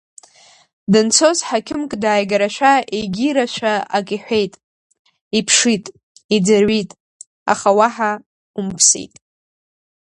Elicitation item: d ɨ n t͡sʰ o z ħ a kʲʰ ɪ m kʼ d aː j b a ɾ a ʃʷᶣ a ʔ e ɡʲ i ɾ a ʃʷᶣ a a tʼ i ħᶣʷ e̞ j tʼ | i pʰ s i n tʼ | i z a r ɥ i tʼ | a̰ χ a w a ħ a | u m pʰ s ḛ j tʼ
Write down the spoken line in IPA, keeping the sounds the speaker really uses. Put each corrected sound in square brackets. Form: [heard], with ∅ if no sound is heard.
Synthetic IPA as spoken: d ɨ n t͡sʰ o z ħ a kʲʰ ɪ m kʼ d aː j [ɡ] a ɾ a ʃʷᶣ a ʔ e ɡʲ i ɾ a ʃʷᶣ a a [kʼ] i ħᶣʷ e̞ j tʼ | i pʰ [ʂ] i [∅] tʼ | i [d͡z] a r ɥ i tʼ | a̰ χ a w a ħ a | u m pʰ s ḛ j tʼ